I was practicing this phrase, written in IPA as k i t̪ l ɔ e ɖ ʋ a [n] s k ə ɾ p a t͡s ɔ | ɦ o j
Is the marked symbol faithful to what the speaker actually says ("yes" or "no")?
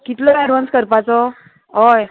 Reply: yes